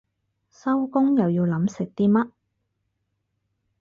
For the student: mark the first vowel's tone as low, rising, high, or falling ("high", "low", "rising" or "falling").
high